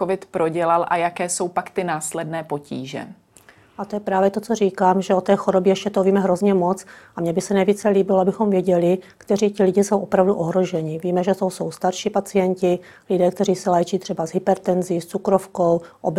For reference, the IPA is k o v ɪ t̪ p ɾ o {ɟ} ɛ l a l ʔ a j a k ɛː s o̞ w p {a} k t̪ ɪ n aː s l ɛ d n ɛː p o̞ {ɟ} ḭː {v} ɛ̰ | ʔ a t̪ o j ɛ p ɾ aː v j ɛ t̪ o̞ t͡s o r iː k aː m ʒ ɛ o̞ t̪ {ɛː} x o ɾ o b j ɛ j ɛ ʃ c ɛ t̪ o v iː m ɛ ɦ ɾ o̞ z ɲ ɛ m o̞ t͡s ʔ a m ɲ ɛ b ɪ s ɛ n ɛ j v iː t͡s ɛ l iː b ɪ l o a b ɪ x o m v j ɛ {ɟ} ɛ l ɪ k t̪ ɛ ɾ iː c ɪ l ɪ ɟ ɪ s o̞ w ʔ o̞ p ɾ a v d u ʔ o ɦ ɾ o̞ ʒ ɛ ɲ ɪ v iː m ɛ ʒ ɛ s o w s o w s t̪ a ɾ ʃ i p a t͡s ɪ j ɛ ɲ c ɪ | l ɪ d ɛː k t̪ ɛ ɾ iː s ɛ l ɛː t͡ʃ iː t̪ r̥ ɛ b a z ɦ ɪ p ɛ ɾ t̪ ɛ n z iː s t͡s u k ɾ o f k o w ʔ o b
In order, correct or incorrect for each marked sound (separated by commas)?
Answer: correct, correct, incorrect, incorrect, correct, correct